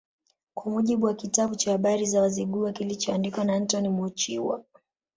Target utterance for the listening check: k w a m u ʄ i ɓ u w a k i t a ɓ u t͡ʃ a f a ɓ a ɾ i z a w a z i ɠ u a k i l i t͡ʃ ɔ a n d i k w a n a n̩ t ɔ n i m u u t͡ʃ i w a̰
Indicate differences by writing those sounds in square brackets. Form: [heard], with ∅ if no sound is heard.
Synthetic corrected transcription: k w a m u ʄ i ɓ u w a k i t a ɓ u t͡ʃ a [h] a ɓ a ɾ i z a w a z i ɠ u a k i l i t͡ʃ ɔ a n d i k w a n a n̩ t ɔ n i m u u t͡ʃ i w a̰